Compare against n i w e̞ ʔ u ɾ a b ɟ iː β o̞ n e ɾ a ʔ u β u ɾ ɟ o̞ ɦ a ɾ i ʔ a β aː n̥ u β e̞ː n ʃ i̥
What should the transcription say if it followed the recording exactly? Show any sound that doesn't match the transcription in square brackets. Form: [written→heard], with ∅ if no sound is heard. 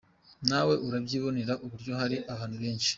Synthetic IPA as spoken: n [i→a] w e̞ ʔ u ɾ a b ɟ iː β o̞ n e ɾ a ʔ u β u ɾ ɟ o̞ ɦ a ɾ i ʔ a β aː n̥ u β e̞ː n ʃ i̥

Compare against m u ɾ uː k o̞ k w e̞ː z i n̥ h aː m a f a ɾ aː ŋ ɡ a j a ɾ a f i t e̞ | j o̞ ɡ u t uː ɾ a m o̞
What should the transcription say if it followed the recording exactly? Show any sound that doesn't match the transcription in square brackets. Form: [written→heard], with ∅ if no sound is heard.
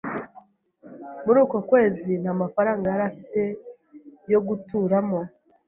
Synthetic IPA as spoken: m u ɾ uː k o̞ k w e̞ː z i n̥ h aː m a f a ɾ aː ŋ ɡ a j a ɾ a f i t e̞ | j o̞ ɡ u t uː ɾ a m o̞

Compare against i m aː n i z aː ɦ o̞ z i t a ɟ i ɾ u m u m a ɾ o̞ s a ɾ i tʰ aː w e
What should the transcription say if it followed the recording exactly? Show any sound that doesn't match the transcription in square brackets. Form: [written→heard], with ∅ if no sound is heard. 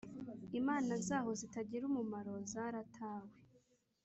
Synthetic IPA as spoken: i m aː n [i→a] z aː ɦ o̞ z i t a ɟ i ɾ u m u m a ɾ o̞ [s→z] a ɾ [i→a] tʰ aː w e

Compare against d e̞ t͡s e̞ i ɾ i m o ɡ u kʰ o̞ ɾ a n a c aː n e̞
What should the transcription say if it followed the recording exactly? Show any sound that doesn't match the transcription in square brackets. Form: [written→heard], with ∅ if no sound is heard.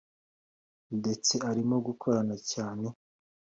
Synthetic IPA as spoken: d e̞ t͡s e̞ [i→a] ɾ i m o ɡ u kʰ o̞ ɾ a n a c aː n e̞

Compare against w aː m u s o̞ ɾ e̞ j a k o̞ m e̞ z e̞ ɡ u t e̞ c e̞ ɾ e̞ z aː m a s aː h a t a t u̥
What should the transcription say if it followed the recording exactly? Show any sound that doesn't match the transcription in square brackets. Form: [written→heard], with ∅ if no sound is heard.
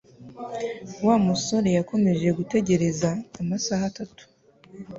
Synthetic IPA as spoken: w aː m u s o̞ ɾ e̞ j a k o̞ m e̞ [z→ʒ] e̞ ɡ u t e̞ [c→ɟ] e̞ ɾ e̞ z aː m a s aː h a t a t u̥

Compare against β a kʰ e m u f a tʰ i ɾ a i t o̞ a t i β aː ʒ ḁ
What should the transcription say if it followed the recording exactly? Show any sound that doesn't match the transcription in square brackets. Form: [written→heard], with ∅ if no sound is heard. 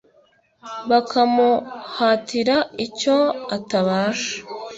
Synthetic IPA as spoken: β a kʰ [e→a] m u [f→h] a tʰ i ɾ a i [t→c] o̞ a t [i→a] β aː [ʒ→ʃ] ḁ

